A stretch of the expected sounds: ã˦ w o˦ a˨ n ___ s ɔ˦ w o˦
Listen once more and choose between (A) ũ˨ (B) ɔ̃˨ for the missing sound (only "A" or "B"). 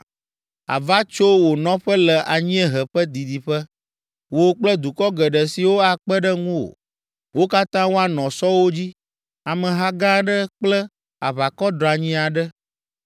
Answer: B